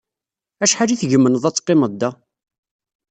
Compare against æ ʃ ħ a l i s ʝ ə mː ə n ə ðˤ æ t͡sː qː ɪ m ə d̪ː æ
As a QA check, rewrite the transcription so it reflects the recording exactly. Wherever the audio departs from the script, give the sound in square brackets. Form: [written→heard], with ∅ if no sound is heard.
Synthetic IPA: æ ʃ ħ a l i [s→θ] ʝ ə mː ə n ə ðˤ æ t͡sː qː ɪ m ə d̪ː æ